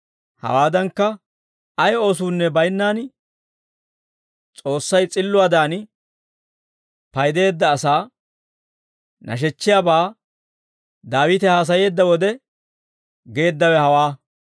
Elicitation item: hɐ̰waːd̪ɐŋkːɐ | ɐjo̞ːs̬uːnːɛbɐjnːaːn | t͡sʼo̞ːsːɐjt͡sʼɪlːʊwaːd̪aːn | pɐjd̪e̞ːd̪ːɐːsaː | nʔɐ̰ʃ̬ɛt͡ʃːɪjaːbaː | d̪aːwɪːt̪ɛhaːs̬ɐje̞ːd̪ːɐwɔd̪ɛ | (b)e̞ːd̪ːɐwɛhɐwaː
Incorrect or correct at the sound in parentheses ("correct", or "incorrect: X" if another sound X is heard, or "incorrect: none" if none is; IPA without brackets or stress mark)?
incorrect: ɡ